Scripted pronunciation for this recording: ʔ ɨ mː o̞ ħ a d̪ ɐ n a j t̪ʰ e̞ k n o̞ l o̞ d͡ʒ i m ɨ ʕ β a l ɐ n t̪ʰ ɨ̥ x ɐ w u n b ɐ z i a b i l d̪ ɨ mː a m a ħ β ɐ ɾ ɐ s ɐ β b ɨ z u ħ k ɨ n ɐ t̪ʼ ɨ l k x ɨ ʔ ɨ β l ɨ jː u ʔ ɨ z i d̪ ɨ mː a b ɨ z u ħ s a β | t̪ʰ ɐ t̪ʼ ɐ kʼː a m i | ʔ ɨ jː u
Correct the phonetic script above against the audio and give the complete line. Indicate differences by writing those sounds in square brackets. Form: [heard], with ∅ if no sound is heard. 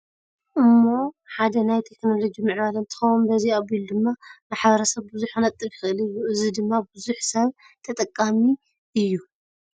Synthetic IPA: ʔ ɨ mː o̞ ħ a d̪ ɐ n a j t̪ʰ e̞ k n o̞ l o̞ d͡ʒ i m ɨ ʕ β a l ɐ n t̪ʰ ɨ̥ x ɐ w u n b ɐ z i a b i l d̪ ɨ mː a m a ħ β ɐ ɾ ɐ s ɐ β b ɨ z u ħ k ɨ n ɐ t̪ʼ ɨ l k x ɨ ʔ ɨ [∅] l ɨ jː u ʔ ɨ z i d̪ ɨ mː a b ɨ z u ħ s [ɐ] β | t̪ʰ ɐ t̪ʼ ɐ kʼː a m i | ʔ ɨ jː u